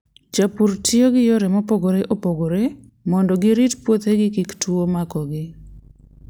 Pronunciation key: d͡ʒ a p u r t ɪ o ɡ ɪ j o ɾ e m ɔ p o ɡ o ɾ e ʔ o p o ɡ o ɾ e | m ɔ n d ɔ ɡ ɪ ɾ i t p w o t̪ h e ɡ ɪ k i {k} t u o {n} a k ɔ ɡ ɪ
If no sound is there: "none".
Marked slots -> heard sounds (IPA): k, m

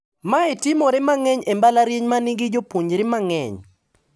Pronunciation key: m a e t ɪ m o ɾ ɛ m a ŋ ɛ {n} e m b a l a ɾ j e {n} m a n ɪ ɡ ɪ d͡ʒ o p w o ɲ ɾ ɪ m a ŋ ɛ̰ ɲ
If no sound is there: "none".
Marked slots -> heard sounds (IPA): ɲ, ɲ

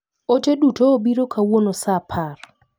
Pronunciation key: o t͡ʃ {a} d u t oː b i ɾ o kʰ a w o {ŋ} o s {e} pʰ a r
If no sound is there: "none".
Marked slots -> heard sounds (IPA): e, n, a

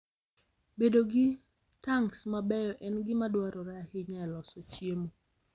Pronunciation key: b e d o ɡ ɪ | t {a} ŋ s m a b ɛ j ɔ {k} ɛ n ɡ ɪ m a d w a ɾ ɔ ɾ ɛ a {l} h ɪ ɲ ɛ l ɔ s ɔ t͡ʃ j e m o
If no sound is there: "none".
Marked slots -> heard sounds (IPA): a, ʔ, none

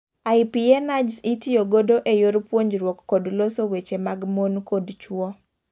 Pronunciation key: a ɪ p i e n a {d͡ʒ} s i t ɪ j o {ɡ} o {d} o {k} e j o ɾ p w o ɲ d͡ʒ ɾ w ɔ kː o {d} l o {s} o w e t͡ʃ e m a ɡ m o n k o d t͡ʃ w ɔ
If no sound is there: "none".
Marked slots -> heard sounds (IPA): d͡ʒ, ɡ, d, ʔ, d, s

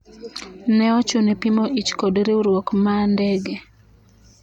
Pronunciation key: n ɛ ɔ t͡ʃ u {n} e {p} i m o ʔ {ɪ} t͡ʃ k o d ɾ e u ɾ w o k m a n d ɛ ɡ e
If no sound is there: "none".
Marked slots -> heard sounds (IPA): n, p, i

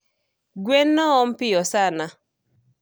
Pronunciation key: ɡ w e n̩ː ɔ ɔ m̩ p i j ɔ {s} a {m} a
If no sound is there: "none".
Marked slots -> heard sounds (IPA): s, n

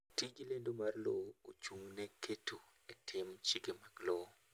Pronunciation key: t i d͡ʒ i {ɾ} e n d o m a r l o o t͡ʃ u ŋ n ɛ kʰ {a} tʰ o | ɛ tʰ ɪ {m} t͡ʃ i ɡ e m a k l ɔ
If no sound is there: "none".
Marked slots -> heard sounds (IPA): l, e, m

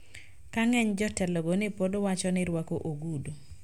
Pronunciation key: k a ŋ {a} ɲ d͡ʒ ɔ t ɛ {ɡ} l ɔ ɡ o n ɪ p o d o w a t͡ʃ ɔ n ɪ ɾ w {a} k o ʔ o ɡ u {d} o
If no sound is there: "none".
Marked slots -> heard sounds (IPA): ɛ, none, a, d

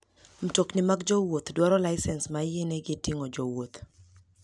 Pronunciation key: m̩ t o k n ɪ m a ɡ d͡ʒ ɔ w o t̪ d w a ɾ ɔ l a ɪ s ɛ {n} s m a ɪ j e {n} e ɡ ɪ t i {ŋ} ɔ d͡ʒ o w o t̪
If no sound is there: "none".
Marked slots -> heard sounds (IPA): n, n, ŋ

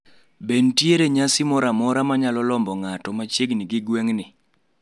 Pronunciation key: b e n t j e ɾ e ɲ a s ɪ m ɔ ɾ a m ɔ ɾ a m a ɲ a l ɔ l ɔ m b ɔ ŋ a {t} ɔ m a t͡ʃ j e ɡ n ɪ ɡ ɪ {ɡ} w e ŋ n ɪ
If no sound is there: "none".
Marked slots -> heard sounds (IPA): t, ɡ

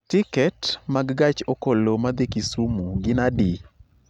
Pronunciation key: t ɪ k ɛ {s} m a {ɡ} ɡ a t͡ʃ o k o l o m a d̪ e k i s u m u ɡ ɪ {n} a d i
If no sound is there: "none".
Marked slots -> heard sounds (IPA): t, ɡ, n

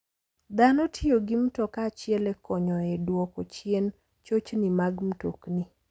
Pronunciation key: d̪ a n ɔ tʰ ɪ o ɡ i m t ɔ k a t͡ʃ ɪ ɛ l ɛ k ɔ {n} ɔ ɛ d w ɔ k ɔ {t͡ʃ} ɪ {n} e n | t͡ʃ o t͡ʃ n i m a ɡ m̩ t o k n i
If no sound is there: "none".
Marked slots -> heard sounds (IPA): ɲ, t͡ʃ, none

